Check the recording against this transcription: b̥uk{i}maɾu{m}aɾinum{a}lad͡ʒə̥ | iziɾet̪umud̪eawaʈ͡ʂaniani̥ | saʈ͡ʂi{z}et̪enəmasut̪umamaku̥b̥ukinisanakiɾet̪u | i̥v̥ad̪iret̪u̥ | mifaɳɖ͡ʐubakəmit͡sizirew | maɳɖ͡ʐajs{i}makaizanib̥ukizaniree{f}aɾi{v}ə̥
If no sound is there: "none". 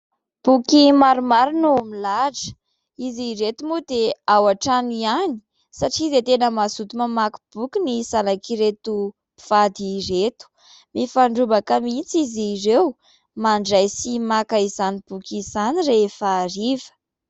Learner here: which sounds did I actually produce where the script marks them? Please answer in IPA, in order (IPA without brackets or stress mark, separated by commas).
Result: i, m, i, z, i, f, v